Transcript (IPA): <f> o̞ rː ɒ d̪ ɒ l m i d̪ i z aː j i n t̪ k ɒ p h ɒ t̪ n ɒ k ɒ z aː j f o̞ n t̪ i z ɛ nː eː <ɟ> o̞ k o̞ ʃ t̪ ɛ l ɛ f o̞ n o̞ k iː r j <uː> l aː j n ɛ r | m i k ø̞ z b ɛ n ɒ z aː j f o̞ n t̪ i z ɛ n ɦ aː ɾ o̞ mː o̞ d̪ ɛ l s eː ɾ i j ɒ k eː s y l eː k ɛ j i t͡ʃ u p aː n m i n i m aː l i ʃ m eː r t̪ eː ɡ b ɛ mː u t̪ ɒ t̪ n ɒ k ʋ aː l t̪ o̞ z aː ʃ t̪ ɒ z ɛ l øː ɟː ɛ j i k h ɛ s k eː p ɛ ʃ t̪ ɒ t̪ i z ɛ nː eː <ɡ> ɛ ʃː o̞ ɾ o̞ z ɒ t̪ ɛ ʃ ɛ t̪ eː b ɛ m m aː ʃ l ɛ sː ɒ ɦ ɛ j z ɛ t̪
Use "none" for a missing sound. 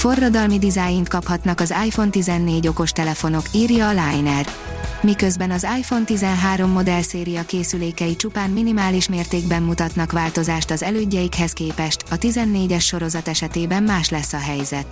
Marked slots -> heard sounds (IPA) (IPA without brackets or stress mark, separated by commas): f, ɟ, ɒː, ɟ